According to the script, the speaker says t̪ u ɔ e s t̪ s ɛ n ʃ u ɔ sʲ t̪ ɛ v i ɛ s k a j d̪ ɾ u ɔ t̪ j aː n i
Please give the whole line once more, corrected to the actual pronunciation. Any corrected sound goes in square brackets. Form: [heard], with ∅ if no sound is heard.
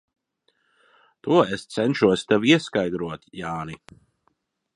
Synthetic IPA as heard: t̪ u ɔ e s t̪ s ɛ n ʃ u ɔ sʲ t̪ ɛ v i ɛ s k a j d̪ ɾ u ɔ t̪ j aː n i

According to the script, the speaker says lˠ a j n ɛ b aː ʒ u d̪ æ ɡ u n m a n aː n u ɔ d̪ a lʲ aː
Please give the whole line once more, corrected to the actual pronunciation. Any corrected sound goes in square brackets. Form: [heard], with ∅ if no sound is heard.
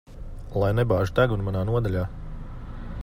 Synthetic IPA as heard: lˠ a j n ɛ b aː ʒ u [t̪] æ ɡ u n m a n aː n u ɔ d̪ a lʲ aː

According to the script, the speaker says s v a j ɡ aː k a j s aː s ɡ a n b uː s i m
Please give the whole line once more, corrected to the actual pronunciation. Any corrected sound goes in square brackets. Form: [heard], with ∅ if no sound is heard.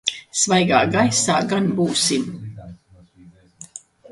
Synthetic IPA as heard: s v a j ɡ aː [ɡ] a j s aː [∅] ɡ a n b uː s i m

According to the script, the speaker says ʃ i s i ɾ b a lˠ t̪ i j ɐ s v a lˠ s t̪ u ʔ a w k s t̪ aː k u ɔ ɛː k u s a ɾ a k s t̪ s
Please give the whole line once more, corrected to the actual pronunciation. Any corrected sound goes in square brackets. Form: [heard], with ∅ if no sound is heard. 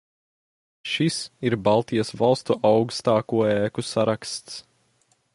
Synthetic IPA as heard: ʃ i s i ɾ b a lˠ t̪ i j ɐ s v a lˠ s t̪ u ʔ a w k s t̪ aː k u ɔ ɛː k u s a ɾ a k s t̪ s

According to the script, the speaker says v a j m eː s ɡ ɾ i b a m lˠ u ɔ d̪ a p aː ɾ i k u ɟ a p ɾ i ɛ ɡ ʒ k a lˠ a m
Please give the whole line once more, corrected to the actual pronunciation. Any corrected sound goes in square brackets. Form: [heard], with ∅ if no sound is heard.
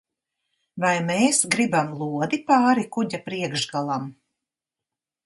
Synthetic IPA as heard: v a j m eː s ɡ ɾ i b a m lˠ u ɔ d̪ [i] p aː ɾ i k u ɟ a p ɾ i ɛ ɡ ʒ [ɡ] a lˠ a m

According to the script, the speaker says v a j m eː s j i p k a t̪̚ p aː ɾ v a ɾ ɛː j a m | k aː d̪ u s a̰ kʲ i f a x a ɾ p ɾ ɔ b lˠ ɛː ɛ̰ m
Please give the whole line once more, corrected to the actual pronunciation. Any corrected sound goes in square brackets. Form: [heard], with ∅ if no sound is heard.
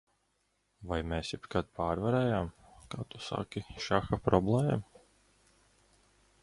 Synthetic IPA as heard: v a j m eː s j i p k a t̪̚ p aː ɾ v a ɾ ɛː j a m | k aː [t̪] u s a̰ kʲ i [ʃ] a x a [∅] p ɾ ɔ b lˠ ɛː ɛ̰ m

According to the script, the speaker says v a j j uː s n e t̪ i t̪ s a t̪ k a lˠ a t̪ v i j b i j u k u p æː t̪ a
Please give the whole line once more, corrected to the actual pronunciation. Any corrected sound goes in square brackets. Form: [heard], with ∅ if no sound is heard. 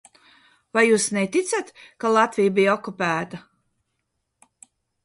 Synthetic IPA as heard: v a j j uː s n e t̪ i t̪ s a t̪ k a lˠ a t̪ v i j b i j [ɔ] k u p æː t̪ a

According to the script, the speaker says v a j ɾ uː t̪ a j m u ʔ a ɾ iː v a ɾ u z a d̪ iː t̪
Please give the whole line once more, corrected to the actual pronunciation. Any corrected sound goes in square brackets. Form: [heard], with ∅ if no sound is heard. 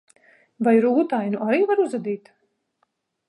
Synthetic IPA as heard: v a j ɾ uː t̪ a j [n] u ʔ a ɾ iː v a ɾ u z a d̪ iː t̪

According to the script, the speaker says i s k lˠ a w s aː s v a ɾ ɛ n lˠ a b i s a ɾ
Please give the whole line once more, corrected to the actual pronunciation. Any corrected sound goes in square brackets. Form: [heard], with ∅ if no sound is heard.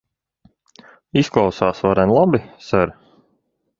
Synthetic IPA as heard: i s k lˠ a w s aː s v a ɾ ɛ n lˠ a b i s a ɾ

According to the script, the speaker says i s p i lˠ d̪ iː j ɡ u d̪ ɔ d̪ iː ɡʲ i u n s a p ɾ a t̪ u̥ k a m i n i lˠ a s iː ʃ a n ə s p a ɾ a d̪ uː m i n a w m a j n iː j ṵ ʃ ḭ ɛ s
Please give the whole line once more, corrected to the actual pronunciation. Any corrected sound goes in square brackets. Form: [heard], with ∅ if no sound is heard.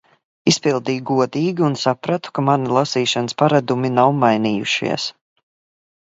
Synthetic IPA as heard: i s p i lˠ d̪ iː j ɡ u [∅] ɔ d̪ iː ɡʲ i u n s a p ɾ a t̪ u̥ k a m [a] n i lˠ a s iː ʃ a n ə s p a ɾ a d̪ [u] m i n a w m a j n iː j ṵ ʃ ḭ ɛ s

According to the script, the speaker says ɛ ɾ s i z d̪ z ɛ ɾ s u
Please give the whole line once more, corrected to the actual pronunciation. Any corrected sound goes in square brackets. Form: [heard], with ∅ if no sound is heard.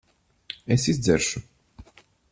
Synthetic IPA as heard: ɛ [∅] s i z d̪ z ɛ ɾ [ʃ] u

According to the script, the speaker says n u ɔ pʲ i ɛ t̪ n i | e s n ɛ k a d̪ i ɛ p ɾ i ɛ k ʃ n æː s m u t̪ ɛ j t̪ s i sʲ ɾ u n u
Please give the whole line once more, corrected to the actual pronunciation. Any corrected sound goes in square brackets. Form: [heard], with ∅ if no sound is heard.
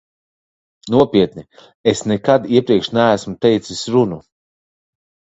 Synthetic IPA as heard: n u ɔ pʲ i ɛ t̪ n i | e s n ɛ k a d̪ i ɛ p ɾ i ɛ k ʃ n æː s m u t̪ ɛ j t̪ s i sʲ ɾ u n u

